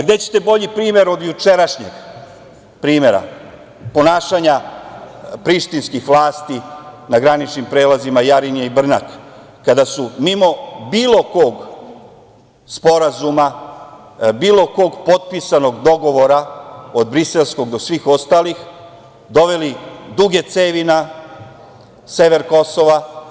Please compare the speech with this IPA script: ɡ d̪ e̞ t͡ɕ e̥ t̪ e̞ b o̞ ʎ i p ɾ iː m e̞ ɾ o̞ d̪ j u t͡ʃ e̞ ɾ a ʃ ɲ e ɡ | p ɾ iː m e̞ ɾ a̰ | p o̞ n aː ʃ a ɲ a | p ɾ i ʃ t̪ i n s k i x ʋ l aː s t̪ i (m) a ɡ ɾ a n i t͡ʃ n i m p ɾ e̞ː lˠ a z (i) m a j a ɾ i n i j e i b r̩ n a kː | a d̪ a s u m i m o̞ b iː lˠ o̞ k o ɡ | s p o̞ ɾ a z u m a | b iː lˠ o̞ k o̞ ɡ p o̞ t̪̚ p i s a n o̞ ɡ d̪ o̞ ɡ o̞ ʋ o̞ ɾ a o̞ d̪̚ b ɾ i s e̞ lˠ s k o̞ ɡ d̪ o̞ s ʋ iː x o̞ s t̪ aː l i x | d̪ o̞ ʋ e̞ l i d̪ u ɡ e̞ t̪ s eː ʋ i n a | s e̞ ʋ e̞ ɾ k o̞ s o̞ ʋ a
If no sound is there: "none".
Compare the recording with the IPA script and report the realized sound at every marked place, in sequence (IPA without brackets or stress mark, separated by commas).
n, i